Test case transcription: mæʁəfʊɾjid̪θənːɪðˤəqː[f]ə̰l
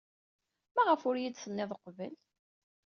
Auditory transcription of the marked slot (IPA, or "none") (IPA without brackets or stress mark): v